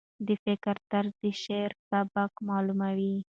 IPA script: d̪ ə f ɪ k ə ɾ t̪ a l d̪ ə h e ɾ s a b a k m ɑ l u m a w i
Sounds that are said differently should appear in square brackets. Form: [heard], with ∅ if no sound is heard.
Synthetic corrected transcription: d̪ ə f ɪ k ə ɾ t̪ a [ɾ] d̪ ə [ʃ] e ɾ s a b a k m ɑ l u m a w i